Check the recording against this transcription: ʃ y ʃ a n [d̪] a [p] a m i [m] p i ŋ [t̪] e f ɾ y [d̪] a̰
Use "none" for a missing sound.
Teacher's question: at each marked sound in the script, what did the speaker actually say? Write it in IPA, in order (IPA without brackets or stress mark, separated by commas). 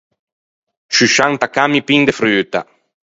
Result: t̪, k, none, d̪, t̪